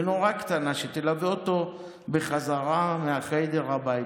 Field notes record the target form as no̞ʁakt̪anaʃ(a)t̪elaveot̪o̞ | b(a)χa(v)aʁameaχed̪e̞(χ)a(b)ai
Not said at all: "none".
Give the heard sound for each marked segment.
e, e, z, ʁ, b

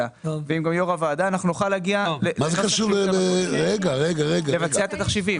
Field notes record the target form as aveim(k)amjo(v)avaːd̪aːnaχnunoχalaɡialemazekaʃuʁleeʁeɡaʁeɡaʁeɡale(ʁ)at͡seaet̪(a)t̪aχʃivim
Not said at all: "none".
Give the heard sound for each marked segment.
ɡ, ʁ, v, a

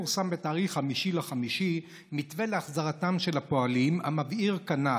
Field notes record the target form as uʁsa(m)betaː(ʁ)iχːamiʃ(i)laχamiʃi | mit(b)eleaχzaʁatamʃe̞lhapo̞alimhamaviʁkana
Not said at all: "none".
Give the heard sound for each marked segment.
m, ʁ, i, v

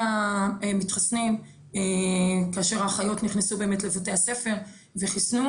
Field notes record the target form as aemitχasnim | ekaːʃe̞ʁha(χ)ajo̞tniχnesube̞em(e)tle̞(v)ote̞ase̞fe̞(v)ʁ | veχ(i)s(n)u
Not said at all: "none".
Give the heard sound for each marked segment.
χ, e, v, none, i, n

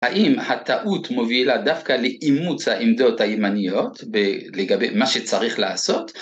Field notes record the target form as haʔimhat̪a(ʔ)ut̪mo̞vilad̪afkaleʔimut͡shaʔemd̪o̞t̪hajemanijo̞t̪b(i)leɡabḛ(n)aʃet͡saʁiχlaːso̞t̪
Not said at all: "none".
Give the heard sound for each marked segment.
ʔ, e, m

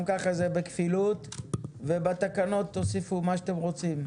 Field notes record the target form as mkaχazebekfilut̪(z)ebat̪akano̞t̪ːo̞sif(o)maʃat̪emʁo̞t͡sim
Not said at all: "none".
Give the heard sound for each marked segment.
v, u

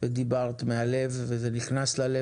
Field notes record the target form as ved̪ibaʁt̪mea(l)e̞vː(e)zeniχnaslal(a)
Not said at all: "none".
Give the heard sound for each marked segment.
l, e, e

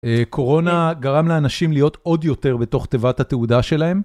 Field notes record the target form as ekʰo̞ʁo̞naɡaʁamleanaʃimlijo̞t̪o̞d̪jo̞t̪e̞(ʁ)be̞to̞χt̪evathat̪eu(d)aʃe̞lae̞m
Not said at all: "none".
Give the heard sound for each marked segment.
ʁ, d

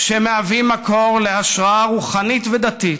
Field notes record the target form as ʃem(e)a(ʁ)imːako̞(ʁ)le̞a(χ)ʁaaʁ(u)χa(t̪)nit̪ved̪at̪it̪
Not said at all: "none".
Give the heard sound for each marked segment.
e, v, ʁ, ʃ, u, none

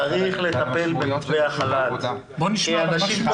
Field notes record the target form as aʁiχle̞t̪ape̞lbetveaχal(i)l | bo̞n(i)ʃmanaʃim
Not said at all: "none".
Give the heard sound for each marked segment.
a, i

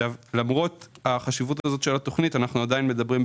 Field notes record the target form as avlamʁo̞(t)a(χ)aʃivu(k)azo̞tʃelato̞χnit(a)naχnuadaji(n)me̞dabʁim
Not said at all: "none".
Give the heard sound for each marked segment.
t, χ, t, a, n

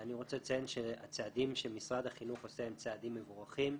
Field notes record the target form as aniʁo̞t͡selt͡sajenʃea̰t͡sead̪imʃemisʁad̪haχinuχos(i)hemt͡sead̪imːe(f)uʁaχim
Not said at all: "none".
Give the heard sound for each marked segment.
e, v

